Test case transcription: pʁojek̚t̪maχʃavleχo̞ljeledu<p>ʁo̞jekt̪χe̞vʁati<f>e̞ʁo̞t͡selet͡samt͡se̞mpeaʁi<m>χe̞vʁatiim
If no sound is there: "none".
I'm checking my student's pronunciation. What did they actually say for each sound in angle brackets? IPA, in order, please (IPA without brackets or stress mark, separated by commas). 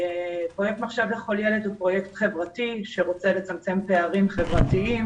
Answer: p, ʃ, m